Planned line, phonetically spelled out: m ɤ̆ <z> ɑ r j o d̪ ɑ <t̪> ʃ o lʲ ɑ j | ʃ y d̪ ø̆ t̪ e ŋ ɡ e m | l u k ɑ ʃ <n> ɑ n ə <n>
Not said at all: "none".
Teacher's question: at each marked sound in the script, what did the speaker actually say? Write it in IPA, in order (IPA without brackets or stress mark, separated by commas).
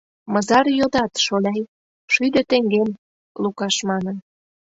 z, t̪, m, n